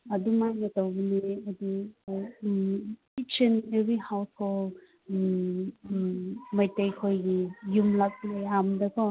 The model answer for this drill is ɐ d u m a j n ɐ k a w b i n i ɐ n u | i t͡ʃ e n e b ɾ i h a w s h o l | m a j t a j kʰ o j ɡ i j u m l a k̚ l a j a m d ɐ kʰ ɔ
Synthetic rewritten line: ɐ d u m a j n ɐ t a w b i n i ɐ d u | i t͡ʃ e n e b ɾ i h a w s h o l | m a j t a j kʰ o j ɡ i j u m l a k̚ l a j a m d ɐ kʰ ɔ